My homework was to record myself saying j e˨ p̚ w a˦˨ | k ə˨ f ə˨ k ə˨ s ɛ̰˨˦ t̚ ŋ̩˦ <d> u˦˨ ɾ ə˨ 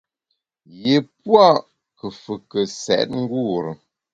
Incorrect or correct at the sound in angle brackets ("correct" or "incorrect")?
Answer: incorrect